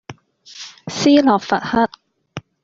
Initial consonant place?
alveolar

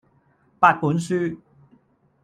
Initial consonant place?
labial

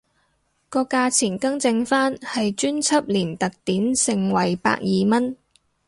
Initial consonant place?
velar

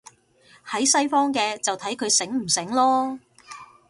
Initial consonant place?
glottal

